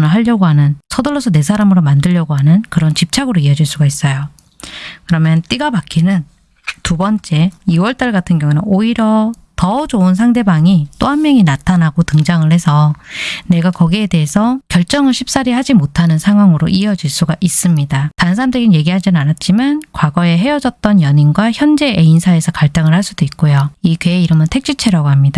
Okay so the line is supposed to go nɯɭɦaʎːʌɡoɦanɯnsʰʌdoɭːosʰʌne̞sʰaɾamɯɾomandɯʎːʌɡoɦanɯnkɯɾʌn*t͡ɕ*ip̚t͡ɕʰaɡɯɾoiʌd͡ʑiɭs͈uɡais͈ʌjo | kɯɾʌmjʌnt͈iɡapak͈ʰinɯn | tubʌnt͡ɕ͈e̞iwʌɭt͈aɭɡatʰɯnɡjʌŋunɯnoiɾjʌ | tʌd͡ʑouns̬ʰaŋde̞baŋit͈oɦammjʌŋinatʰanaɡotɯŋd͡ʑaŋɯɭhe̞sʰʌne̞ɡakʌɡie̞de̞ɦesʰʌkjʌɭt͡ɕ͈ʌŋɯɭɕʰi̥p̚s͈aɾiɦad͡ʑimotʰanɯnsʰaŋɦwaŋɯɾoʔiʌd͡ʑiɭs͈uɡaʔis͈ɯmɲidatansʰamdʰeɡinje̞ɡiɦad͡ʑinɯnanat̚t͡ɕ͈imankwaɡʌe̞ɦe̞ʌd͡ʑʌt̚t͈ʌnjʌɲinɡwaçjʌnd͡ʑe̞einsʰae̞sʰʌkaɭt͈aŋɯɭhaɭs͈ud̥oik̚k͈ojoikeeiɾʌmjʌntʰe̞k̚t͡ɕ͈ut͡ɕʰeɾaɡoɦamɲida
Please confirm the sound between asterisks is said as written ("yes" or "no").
yes